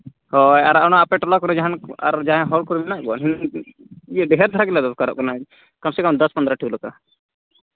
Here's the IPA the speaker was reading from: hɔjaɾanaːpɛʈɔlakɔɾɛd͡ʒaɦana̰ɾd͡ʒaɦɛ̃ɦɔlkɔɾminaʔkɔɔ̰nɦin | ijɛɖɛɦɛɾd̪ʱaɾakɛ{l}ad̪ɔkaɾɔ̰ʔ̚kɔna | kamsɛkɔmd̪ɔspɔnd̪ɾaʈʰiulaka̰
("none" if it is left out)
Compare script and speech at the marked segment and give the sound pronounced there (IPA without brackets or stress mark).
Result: l